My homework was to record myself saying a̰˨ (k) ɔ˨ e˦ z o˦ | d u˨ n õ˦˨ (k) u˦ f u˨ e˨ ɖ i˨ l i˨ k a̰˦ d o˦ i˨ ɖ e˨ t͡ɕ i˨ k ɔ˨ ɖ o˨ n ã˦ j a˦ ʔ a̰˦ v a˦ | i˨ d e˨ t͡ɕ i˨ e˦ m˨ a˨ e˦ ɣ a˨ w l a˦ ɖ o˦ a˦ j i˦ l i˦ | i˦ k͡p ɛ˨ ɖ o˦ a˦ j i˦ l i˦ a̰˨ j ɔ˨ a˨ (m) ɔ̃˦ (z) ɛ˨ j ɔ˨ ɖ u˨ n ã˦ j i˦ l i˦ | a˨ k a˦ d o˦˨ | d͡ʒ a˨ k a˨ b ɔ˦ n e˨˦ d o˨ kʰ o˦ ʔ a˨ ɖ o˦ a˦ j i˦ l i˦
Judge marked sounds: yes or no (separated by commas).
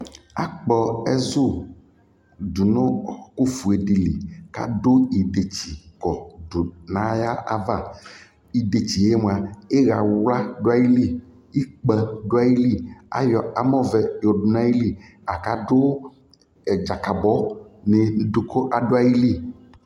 no, yes, yes, no